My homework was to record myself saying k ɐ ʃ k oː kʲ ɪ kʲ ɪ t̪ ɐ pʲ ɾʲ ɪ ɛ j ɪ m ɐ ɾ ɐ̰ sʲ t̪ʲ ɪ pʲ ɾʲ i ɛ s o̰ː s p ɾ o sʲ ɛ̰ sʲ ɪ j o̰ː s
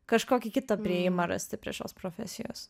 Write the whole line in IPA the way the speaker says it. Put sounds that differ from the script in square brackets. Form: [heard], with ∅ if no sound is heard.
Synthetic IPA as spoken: k ɐ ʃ k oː kʲ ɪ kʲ ɪ t̪ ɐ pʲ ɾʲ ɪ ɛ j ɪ m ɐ ɾ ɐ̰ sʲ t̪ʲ ɪ pʲ ɾʲ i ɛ [ʃ] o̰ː s p ɾ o [fʲ] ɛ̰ sʲ ɪ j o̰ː s